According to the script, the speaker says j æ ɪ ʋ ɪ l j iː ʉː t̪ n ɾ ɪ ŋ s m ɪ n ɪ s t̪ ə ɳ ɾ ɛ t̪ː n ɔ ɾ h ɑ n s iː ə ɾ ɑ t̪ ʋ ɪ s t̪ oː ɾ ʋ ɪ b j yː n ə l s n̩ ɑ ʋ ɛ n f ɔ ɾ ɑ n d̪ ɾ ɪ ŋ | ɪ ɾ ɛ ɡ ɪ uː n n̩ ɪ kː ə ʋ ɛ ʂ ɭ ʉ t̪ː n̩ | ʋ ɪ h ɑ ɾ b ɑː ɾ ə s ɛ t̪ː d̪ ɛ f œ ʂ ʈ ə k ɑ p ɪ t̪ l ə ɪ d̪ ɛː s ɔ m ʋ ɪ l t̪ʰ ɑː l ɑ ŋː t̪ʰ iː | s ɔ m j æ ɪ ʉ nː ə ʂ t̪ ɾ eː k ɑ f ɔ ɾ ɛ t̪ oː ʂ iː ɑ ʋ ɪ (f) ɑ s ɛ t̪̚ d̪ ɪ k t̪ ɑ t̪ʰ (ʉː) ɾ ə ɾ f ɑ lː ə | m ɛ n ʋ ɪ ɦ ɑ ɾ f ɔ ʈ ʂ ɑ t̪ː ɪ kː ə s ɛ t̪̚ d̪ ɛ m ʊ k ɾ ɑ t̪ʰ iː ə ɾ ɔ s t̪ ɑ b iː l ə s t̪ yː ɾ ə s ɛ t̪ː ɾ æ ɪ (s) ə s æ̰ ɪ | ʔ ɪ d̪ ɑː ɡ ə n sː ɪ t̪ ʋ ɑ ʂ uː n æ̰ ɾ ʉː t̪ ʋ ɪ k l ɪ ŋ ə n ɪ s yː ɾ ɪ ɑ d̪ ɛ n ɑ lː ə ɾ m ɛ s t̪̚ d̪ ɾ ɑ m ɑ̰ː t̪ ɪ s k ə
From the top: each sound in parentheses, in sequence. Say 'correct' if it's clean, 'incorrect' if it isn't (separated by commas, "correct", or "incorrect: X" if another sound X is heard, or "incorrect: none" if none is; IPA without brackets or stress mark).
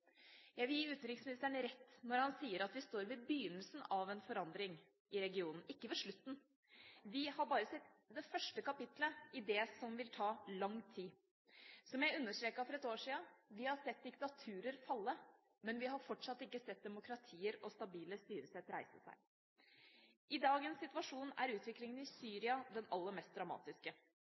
incorrect: h, correct, correct